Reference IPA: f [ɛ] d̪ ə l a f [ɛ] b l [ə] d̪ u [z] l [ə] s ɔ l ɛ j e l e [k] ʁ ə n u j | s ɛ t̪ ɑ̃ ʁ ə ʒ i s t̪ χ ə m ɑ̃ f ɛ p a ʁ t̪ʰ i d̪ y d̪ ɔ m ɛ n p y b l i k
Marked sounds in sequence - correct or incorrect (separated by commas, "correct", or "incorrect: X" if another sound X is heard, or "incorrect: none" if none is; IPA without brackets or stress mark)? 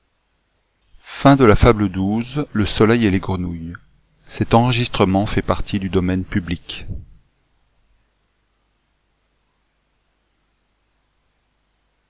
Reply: incorrect: ɛ̃, incorrect: a, correct, correct, correct, incorrect: ɡ